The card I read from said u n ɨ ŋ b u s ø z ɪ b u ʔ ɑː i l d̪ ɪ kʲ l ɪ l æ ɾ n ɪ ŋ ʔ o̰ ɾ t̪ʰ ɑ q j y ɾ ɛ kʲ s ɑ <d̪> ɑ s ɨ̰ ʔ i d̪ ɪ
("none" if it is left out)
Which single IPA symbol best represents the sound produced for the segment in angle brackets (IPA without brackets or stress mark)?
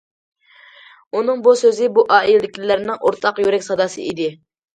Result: d̪